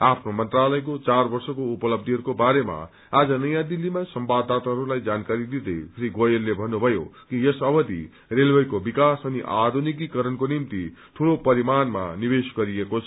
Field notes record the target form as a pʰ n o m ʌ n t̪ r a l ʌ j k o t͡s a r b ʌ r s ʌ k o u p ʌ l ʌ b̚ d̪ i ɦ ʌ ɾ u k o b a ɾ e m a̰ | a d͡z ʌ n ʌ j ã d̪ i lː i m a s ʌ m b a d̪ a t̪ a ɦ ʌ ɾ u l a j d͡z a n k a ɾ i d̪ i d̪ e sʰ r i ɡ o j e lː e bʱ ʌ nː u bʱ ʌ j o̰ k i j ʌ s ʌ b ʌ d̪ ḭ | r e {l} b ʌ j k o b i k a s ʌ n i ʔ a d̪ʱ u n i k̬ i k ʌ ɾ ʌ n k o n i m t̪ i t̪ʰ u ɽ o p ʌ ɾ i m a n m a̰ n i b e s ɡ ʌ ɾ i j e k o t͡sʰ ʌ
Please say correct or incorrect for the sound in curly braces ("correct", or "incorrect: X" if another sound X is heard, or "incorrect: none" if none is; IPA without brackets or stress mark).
correct